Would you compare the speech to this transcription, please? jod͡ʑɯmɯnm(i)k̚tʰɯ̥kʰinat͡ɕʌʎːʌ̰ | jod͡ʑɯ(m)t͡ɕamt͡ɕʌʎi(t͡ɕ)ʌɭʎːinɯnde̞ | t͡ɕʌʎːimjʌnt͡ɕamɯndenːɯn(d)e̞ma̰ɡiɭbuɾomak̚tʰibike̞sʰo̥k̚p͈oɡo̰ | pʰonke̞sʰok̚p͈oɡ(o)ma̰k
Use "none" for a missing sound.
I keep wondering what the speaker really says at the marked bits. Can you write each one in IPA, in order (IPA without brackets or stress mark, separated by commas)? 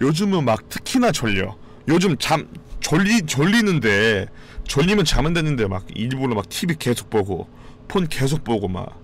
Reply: a, m, t͡ɕ, d, o